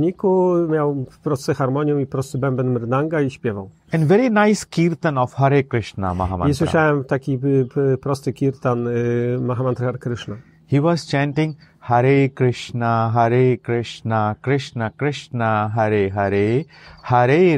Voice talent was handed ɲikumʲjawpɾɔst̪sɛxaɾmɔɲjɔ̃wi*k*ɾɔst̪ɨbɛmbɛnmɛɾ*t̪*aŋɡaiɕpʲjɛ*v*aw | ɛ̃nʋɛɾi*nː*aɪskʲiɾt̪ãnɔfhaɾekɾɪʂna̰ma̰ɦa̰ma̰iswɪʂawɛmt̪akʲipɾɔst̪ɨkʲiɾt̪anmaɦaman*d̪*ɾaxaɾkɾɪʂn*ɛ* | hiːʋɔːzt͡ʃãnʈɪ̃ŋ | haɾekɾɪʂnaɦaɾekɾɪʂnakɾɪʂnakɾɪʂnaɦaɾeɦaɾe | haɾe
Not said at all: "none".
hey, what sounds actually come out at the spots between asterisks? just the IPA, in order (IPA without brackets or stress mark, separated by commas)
p, d̪, v, n, t̪, a